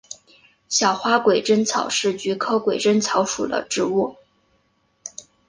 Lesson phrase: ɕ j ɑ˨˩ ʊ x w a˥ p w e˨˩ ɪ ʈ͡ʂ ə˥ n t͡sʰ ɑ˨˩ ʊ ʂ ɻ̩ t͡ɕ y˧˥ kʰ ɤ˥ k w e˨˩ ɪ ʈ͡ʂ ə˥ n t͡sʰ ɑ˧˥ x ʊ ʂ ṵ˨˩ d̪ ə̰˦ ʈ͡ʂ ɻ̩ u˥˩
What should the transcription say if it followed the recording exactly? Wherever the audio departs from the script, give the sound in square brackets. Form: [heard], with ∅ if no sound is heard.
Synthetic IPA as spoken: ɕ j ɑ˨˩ ʊ x w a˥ [k] w e˨˩ ɪ ʈ͡ʂ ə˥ n t͡sʰ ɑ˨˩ ʊ ʂ ɻ̩ t͡ɕ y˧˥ kʰ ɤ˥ k w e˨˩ ɪ ʈ͡ʂ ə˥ n t͡sʰ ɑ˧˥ [∅] ʊ ʂ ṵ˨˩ d̪ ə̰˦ ʈ͡ʂ ɻ̩ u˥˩